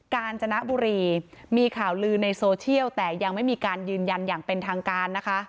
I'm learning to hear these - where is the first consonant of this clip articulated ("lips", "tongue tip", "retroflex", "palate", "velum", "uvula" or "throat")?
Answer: velum